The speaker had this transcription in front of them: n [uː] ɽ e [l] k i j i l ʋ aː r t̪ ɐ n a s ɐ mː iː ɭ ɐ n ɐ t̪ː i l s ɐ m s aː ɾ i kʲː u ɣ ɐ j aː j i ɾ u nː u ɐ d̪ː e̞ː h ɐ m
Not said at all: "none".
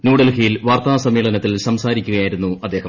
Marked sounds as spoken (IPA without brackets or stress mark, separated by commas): uː, l